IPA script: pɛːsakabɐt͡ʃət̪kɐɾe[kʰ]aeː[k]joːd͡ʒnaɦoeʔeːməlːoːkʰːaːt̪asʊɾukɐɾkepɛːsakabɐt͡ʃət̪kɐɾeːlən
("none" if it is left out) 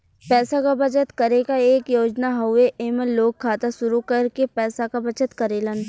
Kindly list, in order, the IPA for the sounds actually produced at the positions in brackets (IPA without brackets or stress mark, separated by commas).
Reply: k, k